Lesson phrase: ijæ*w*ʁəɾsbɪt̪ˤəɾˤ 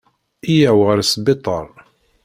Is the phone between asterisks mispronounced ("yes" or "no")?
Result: no